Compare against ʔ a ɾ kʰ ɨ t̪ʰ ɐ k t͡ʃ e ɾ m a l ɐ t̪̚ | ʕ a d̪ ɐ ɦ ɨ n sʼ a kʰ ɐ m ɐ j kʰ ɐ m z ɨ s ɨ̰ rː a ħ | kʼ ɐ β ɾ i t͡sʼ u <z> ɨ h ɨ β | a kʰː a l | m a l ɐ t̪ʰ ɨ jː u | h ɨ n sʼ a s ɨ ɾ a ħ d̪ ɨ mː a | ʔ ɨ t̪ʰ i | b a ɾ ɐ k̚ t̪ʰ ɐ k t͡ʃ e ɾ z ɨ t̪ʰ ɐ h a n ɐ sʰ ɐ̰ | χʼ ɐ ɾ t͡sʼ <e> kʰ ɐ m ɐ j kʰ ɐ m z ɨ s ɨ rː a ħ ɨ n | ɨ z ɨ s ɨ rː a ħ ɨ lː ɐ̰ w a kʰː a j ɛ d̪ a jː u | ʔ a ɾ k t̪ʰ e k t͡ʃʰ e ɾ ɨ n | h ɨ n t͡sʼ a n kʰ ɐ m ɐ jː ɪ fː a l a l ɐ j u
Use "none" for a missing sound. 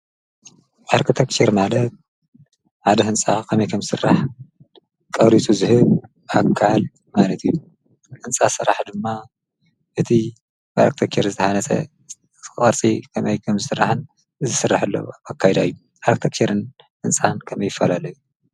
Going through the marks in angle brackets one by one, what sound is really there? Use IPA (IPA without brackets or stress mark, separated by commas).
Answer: z, i